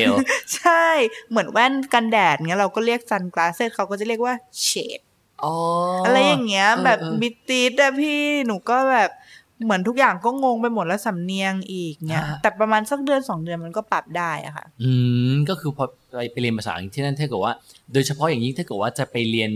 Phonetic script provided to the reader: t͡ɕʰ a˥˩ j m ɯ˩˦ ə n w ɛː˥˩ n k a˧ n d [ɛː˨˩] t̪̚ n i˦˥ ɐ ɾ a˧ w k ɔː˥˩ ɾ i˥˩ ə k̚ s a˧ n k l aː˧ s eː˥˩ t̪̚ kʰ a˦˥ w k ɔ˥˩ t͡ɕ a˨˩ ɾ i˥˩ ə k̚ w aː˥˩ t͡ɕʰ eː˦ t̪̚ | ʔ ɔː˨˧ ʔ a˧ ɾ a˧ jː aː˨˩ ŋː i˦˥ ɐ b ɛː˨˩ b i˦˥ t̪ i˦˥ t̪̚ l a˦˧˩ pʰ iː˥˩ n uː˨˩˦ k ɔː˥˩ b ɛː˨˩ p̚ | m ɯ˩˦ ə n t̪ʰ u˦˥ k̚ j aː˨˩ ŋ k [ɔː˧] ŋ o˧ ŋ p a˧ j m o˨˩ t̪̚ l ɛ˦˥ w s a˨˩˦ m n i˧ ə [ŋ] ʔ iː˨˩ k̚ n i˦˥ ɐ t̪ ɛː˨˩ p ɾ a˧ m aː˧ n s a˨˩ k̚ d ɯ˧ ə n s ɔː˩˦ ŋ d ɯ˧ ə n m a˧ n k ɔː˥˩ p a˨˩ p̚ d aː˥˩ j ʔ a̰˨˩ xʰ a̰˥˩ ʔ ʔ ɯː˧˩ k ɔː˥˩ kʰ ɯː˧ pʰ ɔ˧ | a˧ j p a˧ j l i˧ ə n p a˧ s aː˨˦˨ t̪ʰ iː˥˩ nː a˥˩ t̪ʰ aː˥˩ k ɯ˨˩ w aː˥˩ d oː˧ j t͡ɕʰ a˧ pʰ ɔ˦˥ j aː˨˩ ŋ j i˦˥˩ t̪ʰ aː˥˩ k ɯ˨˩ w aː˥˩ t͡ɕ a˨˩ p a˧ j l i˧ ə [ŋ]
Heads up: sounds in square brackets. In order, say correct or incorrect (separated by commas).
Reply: correct, incorrect, correct, incorrect